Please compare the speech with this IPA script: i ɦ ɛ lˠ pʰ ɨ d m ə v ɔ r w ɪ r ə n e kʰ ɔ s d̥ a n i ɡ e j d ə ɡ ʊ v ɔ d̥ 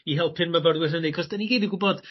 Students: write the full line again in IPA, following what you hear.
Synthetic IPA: i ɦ ɛ lˠ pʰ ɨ n m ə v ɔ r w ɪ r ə n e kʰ ɔ s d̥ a n i ɡ e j d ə ɡ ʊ b ɔ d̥